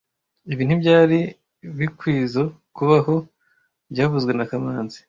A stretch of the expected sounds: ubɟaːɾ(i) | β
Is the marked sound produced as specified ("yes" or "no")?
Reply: yes